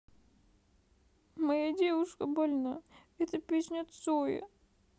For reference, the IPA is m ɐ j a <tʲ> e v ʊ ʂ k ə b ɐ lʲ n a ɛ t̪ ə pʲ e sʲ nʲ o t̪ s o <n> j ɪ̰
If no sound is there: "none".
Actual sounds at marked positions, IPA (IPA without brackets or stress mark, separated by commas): dʲ, none